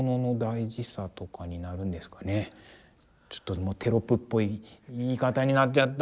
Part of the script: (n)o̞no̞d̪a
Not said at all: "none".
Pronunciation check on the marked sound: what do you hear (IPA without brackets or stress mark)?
n